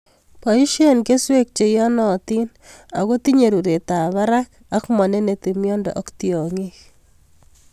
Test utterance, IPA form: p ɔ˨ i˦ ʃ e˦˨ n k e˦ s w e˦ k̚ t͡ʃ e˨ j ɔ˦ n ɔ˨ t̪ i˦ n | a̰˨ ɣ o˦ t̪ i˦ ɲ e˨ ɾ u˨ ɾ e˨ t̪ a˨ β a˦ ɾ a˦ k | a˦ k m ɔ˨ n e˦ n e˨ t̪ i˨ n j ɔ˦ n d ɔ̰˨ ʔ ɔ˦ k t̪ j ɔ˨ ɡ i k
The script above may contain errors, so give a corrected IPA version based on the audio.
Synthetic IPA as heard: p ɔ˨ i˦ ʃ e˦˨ n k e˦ s w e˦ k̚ t͡ʃ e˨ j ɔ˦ n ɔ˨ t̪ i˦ n | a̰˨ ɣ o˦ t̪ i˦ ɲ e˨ ɾ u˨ ɾ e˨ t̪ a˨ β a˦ ɾ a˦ k | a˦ k m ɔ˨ n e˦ n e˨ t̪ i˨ m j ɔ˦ n d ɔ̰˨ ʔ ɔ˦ k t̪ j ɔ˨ ŋ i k